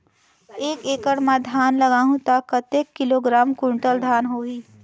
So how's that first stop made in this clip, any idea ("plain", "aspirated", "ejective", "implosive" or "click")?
plain